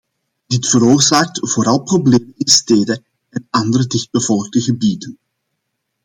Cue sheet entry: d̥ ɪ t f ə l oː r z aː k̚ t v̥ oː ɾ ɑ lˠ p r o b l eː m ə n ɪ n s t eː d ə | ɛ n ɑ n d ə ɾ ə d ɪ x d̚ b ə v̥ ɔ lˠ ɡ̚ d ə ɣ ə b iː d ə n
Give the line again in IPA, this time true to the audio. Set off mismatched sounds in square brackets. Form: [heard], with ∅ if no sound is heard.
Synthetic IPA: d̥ ɪ t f ə [ɾ] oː r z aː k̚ t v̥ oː ɾ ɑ lˠ p r o b l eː m ə n ɪ n s t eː d ə | ɛ n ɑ n d ə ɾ ə d ɪ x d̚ b ə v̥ ɔ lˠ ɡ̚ d ə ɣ ə b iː d ə n

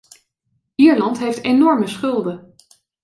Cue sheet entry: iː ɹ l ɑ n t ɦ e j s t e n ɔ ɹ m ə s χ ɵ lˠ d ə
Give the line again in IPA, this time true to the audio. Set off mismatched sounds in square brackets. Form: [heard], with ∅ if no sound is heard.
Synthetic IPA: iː ɹ l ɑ n t ɦ e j [f] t e n ɔ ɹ m ə s χ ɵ lˠ d ə

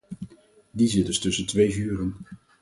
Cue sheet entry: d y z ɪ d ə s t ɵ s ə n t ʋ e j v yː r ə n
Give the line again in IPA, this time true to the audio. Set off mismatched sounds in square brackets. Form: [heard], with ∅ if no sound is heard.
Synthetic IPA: d [i] z ɪ d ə s t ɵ s ə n t ʋ e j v yː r ə n

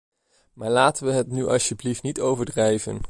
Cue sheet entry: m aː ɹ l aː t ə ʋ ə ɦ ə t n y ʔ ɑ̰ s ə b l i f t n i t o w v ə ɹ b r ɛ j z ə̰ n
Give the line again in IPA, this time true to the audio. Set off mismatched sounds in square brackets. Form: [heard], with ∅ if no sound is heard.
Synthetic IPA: m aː ɹ l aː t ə ʋ ə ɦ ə t n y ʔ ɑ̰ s ə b l i f t n i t o w v ə ɹ [d] r ɛ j [v] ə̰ n

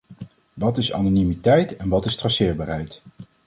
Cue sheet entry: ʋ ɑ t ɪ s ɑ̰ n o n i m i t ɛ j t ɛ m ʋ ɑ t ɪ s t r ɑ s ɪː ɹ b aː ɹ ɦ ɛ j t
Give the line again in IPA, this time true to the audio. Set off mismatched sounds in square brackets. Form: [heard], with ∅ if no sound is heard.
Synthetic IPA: ʋ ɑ t ɪ s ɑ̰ n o n i m i t ɛ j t ɛ [n] ʋ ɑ t ɪ s t r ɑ s ɪː ɹ b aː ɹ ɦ ɛ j t

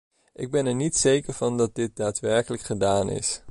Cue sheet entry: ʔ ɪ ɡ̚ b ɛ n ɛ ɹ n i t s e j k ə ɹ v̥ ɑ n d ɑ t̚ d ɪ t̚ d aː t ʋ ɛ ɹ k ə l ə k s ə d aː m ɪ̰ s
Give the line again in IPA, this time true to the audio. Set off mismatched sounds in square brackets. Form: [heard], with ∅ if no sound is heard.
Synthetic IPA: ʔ ɪ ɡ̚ b ɛ n ɛ ɹ n i t s e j k ə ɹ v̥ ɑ n d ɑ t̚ d ɪ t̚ d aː t ʋ ɛ ɹ k ə l ə k [χ] ə d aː [n] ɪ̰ s

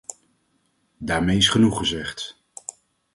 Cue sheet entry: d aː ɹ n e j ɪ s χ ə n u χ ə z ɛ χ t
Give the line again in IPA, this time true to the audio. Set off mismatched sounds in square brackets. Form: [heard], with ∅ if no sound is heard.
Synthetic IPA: d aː ɹ [m] e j ɪ s χ ə n u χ ə z ɛ χ t

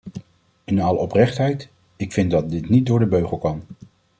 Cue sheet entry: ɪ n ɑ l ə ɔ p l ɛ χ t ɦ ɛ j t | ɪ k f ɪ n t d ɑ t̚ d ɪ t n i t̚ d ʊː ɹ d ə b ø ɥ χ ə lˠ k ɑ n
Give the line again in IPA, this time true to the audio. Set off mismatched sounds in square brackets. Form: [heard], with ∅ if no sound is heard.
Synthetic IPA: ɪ n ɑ l ə ɔ p [r] ɛ χ t ɦ ɛ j t | ɪ k f ɪ n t d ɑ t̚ d ɪ t n i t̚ d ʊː ɹ d ə b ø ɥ χ ə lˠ k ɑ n

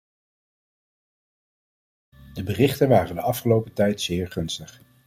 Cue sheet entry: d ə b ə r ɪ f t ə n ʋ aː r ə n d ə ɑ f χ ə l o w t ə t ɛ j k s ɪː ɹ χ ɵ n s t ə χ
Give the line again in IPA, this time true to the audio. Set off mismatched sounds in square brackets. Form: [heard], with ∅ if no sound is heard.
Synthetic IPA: d ə b ə r ɪ [χ] t ə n ʋ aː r ə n d ə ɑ f χ ə l o w [p] ə t ɛ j [t] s ɪː ɹ χ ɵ n s t ə χ

